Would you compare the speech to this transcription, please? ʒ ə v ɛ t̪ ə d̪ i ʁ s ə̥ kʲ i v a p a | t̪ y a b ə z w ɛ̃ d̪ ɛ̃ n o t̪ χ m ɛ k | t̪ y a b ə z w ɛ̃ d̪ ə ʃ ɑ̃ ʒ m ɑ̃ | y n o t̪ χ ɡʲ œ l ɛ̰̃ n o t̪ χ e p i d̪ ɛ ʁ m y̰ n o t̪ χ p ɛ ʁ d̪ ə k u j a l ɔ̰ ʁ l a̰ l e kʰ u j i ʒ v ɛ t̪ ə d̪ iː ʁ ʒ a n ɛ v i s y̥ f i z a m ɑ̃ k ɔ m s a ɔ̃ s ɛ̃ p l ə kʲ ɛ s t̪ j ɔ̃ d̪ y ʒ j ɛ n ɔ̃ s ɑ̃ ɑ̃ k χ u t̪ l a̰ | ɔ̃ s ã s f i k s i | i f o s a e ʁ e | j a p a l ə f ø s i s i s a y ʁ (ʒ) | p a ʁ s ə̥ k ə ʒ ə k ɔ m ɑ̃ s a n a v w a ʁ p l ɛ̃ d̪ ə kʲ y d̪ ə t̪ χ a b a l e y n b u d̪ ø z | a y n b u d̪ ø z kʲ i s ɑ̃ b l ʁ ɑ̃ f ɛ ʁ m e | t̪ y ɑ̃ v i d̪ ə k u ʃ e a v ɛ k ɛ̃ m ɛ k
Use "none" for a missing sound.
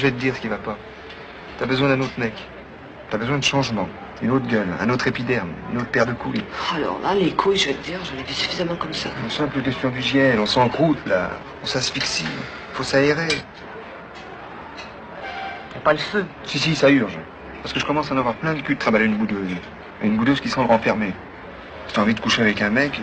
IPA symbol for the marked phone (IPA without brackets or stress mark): ʒ